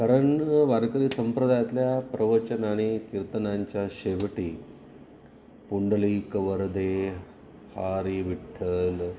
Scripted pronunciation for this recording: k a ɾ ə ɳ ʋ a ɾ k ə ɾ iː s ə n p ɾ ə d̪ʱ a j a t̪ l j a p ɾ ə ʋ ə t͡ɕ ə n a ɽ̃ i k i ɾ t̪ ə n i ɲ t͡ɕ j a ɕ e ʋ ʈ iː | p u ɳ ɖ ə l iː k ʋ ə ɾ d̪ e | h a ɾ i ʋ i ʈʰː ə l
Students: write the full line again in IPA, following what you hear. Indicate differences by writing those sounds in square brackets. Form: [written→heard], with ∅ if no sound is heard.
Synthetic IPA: k a ɾ ə ɳ ʋ a ɾ k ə ɾ iː s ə [n→m] p ɾ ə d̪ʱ a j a t̪ l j a p ɾ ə ʋ ə t͡ɕ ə n a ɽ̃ i k i ɾ t̪ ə n [i→a] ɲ t͡ɕ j a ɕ e ʋ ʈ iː | p u ɳ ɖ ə l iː k ʋ ə ɾ d̪ e | h a ɾ i ʋ i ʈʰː ə l